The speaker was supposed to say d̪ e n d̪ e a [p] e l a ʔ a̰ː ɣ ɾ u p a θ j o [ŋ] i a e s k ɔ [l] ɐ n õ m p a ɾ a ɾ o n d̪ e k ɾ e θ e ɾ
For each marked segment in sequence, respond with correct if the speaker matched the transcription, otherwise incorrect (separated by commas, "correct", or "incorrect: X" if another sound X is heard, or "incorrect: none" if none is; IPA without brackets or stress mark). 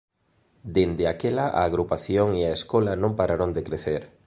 incorrect: k, correct, correct